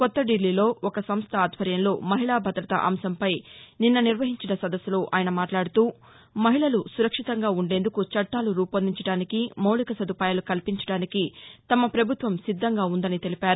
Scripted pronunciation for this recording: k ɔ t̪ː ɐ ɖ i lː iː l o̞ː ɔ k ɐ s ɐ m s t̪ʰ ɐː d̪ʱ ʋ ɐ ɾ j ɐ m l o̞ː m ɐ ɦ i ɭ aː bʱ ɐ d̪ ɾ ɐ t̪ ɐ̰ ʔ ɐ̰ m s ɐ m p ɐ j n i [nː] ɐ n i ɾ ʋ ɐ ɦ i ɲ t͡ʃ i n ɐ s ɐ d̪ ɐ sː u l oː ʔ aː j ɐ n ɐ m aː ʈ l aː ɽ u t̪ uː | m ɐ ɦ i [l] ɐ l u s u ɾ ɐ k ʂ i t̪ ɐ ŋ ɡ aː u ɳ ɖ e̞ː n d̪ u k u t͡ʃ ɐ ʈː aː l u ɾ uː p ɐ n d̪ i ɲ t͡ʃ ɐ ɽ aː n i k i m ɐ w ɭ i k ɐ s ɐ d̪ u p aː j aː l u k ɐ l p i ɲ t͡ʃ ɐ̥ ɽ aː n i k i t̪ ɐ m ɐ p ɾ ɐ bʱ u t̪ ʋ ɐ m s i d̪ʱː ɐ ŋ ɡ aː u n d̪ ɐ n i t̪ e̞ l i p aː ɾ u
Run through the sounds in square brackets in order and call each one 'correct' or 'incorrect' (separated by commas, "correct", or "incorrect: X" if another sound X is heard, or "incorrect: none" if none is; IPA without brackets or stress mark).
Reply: correct, incorrect: ɭ